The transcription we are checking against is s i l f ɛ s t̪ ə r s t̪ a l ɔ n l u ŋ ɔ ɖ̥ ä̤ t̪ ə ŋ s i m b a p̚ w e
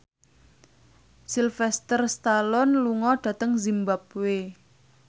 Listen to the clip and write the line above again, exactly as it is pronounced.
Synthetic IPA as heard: s i l f ɛ s t̪ ə r s t̪ a l ɔ n l u ŋ ɔ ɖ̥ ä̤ t̪ ə ŋ z i m b a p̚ w e